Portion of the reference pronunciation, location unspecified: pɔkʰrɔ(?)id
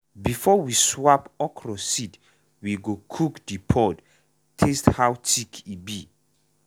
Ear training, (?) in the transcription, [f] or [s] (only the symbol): s